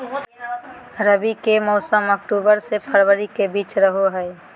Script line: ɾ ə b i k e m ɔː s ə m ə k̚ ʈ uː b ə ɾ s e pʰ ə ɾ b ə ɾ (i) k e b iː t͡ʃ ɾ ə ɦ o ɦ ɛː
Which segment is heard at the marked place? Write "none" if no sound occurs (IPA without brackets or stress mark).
i